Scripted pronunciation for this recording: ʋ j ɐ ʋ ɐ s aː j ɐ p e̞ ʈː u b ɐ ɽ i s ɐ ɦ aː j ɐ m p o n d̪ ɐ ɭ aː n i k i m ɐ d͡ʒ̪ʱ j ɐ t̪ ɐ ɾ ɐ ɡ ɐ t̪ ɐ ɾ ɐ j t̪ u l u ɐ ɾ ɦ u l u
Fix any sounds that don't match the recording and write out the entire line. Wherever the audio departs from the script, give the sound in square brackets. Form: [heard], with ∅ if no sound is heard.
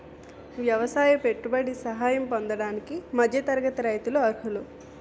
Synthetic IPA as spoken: ʋ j ɐ ʋ ɐ s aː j ɐ p e̞ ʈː u b ɐ ɽ i s ɐ ɦ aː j ɐ m p o n d̪ ɐ [ɽ] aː n i k i m ɐ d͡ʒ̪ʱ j ɐ t̪ ɐ ɾ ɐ ɡ ɐ t̪ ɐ ɾ ɐ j t̪ u l u ɐ ɾ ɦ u l u